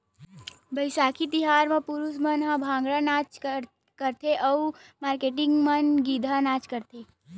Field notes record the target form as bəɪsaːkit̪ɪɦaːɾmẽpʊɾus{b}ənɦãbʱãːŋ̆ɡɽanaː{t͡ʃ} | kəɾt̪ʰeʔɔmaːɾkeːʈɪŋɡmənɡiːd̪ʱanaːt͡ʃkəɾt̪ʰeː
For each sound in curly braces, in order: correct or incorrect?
incorrect, correct

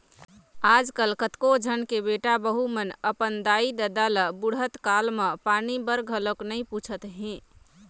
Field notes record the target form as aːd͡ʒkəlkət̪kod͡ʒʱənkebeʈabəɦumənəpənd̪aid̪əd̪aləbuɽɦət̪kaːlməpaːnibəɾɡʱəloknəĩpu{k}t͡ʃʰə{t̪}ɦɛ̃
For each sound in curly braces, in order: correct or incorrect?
incorrect, correct

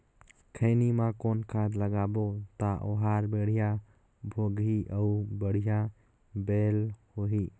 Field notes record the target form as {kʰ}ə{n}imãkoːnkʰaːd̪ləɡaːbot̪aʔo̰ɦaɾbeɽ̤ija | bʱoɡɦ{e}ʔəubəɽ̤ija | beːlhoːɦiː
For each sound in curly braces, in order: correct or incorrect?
correct, correct, incorrect

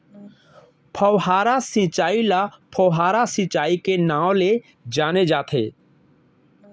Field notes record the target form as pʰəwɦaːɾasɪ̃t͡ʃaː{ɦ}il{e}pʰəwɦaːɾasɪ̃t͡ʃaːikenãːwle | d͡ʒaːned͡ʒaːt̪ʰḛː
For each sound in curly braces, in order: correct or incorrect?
incorrect, incorrect

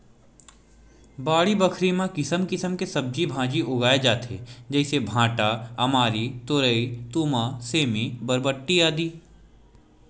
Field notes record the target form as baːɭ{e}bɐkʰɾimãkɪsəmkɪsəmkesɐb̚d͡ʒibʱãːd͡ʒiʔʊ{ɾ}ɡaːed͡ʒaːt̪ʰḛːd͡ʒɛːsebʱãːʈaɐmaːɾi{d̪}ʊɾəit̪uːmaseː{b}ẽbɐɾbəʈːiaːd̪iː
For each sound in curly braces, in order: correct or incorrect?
incorrect, incorrect, incorrect, incorrect

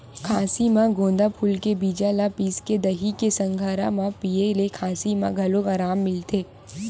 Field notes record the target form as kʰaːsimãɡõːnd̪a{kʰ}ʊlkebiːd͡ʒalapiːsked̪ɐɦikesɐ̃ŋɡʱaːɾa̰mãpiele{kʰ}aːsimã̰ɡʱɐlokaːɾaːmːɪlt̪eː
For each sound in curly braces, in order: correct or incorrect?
incorrect, correct

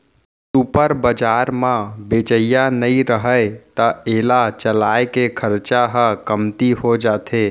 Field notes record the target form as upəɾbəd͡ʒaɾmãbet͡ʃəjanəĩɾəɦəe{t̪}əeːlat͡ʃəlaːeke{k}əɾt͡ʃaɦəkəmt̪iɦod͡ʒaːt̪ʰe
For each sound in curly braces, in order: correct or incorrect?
correct, incorrect

